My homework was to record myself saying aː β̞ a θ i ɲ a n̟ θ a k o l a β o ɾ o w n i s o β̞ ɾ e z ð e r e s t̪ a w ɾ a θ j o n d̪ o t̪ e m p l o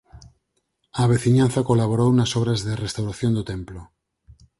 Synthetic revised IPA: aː β̞ e θ i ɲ a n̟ θ a k o l a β o ɾ o w n a s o β̞ ɾ a z ð e r e s t̪ a w ɾ a θ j o n d̪ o t̪ e m p l o